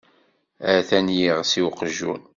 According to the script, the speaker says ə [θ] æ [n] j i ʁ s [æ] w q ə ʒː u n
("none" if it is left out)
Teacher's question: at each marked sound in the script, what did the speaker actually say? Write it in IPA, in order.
θ, n, i

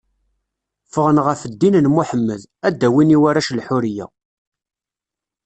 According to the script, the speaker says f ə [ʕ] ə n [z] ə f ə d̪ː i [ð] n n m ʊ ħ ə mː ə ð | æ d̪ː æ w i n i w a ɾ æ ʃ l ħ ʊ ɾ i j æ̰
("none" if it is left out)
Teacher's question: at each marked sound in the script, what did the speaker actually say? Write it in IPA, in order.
ʁ, ʁ, none

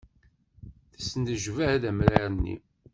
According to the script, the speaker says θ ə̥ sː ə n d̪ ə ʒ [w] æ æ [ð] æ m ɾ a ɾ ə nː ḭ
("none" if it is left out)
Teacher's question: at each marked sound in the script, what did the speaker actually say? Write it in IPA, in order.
v, ð

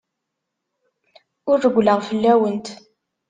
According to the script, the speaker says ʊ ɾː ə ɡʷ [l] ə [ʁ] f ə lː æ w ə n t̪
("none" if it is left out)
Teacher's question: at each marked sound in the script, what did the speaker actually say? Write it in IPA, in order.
l, ʁ

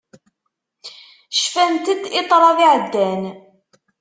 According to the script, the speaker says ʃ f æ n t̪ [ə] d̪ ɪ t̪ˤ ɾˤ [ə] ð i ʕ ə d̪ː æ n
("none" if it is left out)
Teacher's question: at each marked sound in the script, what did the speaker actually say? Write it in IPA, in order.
ə, ɑ

